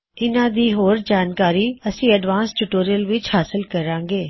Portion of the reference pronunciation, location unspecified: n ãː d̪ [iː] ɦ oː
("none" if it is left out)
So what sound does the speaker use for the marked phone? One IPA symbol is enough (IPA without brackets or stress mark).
iː